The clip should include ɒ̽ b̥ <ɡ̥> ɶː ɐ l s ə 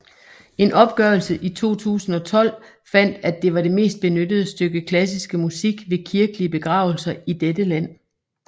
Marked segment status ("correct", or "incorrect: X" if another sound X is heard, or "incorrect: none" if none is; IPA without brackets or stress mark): correct